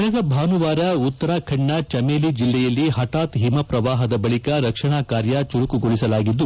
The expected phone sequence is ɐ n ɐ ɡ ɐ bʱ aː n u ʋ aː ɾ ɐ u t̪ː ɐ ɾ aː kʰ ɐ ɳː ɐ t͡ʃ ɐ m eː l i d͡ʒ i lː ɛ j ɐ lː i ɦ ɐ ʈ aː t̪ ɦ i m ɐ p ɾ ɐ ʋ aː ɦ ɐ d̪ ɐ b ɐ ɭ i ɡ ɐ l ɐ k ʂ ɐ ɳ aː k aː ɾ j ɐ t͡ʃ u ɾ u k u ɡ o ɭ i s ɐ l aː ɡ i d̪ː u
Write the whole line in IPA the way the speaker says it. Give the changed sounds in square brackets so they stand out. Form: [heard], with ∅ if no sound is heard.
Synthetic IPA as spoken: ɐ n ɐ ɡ ɐ bʱ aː n u ʋ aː ɾ ɐ u t̪ː ɐ ɾ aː kʰ ɐ ɳː ɐ t͡ʃ ɐ m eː l i d͡ʒ i lː ɛ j ɐ lː i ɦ ɐ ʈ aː t̪ ɦ i m ɐ p ɾ ɐ ʋ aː ɦ ɐ d̪ ɐ b ɐ ɭ i [k] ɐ [ɾ] ɐ k ʂ ɐ ɳ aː k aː ɾ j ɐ t͡ʃ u ɾ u k u ɡ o ɭ i s ɐ l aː ɡ i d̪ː u